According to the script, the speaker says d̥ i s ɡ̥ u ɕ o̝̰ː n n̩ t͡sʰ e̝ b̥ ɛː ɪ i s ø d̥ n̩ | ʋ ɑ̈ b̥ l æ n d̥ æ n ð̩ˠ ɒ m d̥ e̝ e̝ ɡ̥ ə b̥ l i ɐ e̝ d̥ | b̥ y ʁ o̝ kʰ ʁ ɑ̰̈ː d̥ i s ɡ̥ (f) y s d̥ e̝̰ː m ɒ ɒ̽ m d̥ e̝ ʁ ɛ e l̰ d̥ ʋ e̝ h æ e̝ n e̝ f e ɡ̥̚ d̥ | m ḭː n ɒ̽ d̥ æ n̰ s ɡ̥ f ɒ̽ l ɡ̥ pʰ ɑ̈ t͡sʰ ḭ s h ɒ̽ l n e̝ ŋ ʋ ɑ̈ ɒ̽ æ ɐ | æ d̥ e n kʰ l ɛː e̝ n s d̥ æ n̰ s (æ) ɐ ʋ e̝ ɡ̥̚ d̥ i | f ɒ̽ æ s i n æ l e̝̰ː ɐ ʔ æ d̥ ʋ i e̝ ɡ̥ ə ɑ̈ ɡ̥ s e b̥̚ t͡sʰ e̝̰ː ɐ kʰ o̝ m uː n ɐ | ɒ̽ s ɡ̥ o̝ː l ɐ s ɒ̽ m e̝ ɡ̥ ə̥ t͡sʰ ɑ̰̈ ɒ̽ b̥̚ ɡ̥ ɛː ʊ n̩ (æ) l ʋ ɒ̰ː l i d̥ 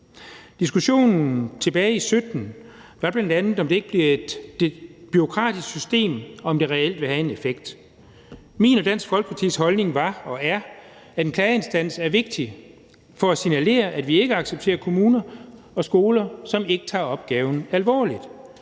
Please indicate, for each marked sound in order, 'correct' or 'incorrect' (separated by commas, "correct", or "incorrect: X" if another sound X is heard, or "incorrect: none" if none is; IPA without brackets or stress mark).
incorrect: s, correct, correct